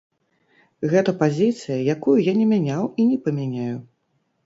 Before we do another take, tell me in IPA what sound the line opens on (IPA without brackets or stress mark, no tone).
ɣ